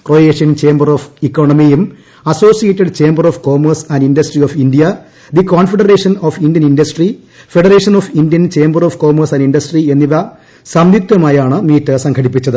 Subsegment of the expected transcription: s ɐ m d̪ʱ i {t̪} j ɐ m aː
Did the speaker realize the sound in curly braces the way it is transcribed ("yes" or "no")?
yes